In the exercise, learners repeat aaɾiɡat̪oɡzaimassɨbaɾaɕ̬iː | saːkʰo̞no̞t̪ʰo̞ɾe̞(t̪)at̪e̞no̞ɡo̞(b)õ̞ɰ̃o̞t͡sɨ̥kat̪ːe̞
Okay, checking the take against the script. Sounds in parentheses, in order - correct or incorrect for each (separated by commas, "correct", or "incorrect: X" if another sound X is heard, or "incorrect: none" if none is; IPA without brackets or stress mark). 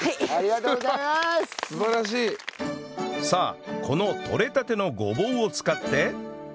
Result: correct, correct